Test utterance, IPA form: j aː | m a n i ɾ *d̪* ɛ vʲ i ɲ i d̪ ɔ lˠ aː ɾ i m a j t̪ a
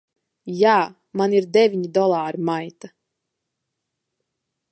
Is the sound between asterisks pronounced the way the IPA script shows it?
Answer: yes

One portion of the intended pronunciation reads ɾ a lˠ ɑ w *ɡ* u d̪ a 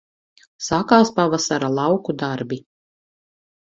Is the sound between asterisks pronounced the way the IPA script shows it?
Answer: no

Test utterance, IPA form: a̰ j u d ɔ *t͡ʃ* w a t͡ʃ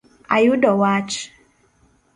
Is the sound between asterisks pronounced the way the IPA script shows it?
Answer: no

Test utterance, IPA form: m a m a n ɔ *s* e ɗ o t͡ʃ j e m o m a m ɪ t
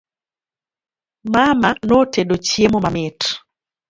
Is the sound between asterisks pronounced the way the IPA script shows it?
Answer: no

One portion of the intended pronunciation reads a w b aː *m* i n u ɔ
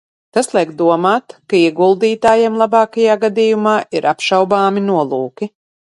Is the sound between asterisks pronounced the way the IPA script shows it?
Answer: yes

